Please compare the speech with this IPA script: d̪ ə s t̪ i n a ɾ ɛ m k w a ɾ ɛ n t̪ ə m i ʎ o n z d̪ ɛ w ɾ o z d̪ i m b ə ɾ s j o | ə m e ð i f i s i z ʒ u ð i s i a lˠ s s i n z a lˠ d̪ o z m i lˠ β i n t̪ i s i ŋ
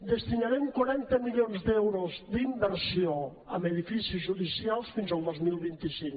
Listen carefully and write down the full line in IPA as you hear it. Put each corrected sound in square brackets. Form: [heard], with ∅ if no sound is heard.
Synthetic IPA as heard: d̪ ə s t̪ i n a ɾ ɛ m k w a ɾ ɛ n t̪ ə m i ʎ o n z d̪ ɛ w ɾ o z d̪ i m b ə ɾ s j o | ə m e ð i f i s i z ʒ u ð i s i a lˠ s [f] i n z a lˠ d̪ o z m i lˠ β i n t̪ i s i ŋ